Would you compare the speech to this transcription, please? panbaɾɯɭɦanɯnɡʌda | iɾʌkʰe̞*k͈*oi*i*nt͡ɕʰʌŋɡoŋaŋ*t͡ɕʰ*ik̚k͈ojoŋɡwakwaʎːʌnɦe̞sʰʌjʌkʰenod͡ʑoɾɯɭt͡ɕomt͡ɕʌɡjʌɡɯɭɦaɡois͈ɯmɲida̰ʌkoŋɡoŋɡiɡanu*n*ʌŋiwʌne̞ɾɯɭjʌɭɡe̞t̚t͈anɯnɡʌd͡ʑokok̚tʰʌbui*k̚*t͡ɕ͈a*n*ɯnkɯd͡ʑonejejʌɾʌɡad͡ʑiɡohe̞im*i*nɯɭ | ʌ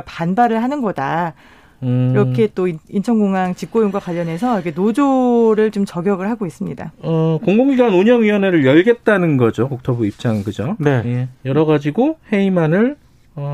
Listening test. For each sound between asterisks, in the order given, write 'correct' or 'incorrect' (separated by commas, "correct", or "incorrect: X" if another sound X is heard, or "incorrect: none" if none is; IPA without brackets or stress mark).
incorrect: t͈, correct, incorrect: t͡ɕ, incorrect: ɲ, incorrect: p̚, incorrect: ŋ, incorrect: a